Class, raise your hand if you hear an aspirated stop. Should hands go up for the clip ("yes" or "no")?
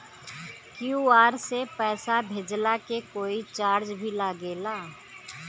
no